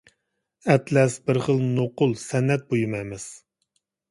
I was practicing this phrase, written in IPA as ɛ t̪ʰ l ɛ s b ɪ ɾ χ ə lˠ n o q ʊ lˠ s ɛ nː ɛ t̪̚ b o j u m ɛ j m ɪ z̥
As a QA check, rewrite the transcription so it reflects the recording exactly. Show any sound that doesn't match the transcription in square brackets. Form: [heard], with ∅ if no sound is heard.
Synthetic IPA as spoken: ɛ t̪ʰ l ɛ s b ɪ ɾ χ ə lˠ n o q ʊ lˠ s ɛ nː ɛ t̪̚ b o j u m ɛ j m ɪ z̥